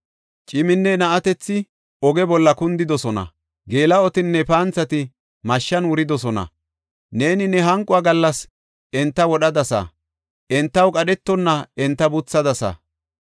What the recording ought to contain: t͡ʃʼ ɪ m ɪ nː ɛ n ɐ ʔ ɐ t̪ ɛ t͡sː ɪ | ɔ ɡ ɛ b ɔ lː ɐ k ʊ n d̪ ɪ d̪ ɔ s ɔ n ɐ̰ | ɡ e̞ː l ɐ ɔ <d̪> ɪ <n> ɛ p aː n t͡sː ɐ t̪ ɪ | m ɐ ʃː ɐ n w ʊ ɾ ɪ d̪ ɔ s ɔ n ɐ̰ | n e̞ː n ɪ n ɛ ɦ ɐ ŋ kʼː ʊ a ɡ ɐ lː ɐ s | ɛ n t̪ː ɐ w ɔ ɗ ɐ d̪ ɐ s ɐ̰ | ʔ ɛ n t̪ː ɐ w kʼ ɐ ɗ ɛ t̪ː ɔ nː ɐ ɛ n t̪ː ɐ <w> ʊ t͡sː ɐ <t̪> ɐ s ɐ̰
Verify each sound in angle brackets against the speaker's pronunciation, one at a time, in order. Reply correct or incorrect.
incorrect: t̪, incorrect: nː, incorrect: b, incorrect: d̪

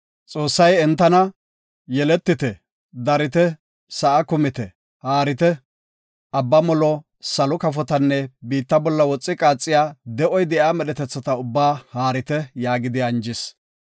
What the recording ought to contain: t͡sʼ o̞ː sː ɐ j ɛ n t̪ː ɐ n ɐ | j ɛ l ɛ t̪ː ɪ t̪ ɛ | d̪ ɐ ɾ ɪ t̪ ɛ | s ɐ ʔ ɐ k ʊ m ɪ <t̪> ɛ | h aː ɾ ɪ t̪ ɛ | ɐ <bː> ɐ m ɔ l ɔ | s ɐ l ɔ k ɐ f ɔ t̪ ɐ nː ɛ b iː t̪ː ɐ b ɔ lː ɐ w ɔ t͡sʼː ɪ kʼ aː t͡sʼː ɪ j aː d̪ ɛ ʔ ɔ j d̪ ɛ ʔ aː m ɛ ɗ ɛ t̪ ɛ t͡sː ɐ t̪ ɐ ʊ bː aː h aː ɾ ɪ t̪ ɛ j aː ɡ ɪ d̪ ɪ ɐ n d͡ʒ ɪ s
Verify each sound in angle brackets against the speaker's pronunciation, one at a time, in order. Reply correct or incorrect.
correct, correct

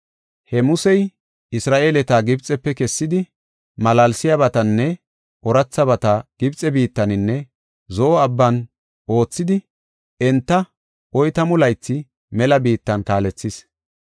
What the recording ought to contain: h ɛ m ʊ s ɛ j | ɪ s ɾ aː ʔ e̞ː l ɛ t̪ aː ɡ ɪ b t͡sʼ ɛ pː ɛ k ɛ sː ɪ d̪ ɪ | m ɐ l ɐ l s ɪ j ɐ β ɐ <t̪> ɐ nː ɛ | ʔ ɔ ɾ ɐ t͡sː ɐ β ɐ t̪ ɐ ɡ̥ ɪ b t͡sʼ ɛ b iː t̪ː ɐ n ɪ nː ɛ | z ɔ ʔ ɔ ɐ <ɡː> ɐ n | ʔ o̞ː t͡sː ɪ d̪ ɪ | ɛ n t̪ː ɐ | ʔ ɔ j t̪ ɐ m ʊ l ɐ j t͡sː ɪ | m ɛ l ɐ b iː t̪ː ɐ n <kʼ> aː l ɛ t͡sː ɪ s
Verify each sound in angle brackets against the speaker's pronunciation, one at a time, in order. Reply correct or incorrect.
correct, incorrect: bː, incorrect: k

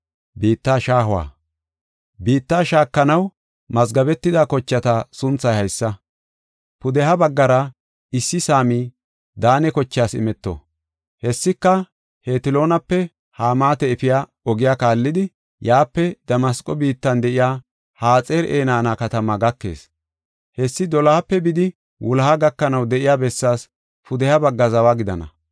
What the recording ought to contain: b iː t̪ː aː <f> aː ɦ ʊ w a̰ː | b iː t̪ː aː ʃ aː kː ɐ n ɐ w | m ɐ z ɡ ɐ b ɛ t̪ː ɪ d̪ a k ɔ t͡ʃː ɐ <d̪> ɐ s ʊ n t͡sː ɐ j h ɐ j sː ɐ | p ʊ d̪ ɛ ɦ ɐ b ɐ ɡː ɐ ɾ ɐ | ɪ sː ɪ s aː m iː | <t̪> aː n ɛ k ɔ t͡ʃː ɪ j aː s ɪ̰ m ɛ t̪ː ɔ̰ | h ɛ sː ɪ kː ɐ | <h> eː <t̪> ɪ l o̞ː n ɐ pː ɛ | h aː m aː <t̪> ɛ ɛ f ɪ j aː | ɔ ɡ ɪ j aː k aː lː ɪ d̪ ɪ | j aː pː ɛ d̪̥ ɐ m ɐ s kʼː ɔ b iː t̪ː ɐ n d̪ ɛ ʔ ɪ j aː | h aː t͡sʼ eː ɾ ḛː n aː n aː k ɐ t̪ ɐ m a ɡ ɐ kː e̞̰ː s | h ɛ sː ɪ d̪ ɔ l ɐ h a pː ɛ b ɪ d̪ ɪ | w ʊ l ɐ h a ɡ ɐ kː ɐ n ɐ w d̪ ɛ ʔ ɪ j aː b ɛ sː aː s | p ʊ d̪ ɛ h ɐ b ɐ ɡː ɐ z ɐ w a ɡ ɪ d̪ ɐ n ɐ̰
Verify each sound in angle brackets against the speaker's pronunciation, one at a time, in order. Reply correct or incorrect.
incorrect: ʃ, incorrect: t̪, incorrect: d̪, correct, correct, correct

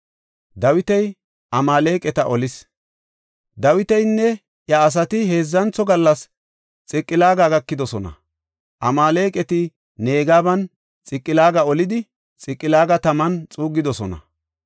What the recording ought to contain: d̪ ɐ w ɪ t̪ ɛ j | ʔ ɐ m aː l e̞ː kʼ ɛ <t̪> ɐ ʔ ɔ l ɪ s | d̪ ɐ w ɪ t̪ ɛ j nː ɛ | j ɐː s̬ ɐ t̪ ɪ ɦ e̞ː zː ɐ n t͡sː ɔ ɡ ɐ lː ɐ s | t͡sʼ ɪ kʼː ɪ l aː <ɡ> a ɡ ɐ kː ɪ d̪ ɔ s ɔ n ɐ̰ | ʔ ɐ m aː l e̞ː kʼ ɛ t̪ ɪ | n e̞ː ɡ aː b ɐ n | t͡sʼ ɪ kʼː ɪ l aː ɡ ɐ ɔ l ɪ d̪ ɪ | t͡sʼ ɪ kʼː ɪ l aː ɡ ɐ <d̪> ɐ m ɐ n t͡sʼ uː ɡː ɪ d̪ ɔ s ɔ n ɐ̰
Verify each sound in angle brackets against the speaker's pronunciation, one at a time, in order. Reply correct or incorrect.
correct, correct, incorrect: t̪

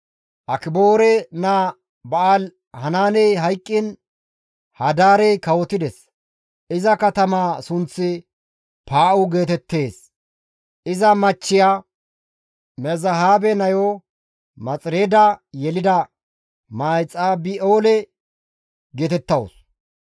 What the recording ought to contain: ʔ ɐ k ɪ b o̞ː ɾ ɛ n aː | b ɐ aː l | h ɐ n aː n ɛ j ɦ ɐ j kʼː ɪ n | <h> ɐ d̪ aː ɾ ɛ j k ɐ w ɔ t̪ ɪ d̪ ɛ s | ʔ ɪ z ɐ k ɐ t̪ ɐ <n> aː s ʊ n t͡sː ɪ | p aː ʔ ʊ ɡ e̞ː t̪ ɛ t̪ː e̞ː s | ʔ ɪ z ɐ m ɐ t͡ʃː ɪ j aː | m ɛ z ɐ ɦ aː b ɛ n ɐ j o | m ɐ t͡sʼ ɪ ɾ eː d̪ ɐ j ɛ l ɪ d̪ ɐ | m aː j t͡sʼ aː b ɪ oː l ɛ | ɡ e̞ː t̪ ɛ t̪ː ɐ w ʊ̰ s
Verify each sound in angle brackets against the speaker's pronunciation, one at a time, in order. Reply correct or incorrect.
correct, incorrect: m

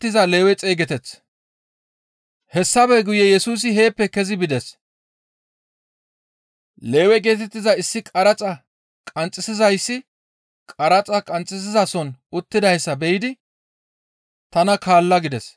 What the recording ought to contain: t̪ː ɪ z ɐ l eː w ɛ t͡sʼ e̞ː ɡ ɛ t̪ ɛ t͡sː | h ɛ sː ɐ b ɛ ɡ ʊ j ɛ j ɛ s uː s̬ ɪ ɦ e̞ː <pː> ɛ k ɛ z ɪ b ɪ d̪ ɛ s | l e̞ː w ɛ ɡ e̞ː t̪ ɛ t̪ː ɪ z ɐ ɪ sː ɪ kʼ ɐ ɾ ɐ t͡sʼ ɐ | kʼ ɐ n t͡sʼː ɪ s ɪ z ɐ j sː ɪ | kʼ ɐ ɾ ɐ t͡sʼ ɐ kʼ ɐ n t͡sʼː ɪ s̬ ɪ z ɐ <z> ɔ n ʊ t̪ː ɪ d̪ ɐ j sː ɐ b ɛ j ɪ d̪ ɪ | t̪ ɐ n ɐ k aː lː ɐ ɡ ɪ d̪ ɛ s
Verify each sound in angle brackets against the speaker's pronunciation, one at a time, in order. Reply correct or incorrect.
correct, incorrect: s

